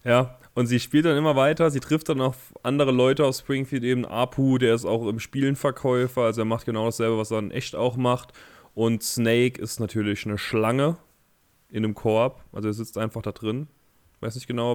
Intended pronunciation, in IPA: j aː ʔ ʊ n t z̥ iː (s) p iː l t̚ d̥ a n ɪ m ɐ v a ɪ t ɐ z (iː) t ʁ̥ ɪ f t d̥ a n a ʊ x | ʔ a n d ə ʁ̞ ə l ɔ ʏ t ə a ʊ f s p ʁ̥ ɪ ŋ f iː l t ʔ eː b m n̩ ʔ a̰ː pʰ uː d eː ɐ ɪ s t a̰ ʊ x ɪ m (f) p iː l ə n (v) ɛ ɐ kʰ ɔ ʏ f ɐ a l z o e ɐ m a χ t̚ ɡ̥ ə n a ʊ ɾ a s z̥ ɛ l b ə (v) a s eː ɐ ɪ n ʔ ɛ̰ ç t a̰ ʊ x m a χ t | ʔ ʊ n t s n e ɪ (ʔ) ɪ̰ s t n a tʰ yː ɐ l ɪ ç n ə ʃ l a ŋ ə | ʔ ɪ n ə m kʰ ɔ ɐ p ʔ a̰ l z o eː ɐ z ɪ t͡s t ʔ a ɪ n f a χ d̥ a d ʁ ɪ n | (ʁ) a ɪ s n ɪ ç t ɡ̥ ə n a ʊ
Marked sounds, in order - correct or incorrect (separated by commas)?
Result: incorrect, correct, incorrect, incorrect, correct, incorrect, incorrect